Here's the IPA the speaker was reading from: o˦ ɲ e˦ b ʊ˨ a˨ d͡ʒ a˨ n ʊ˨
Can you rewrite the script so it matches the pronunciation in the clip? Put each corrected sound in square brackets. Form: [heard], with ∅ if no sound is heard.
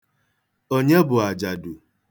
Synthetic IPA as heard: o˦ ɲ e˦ b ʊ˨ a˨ d͡ʒ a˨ [d] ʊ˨